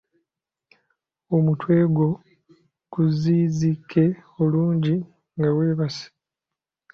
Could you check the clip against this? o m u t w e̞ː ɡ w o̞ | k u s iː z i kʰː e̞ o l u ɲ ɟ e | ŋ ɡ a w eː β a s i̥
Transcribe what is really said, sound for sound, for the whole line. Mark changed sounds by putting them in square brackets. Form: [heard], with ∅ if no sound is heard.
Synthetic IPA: o m u t w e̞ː ɡ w o̞ | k u [z] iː z i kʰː e̞ o l [uː] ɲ ɟ [i] | ŋ ɡ a w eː β a s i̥